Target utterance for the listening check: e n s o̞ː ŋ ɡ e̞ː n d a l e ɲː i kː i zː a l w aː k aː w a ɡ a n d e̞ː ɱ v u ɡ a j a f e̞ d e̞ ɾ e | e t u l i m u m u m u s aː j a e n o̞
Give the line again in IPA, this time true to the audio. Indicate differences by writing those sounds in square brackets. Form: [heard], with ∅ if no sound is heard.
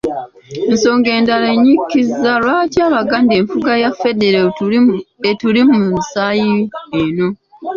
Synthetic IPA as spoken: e n s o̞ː ŋ ɡ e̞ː n d a l e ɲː i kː i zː a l w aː [c] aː [β] a ɡ a n d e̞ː ɱ [f] u ɡ a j a f e̞ d e̞ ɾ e | e t u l i m u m u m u s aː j [i] e n o̞